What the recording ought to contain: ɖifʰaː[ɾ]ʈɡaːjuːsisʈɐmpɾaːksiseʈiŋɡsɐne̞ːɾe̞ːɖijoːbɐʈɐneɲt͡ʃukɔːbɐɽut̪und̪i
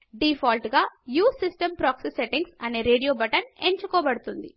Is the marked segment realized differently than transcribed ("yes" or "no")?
yes